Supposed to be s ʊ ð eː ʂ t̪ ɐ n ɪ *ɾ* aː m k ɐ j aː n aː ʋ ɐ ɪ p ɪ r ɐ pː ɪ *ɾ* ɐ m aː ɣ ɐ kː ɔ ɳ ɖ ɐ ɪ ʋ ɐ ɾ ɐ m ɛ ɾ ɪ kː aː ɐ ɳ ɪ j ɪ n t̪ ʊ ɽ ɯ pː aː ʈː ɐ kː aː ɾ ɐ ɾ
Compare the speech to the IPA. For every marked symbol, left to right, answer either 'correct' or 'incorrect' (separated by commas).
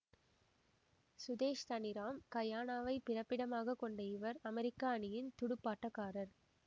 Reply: correct, incorrect